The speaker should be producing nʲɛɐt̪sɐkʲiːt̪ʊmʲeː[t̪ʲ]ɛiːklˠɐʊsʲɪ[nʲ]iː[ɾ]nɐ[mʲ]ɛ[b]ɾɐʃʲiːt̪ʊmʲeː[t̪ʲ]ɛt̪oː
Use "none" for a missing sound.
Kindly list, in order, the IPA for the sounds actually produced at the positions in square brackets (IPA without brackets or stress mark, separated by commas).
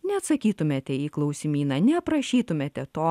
t̪ʲ, mʲ, none, nʲ, p, t̪ʲ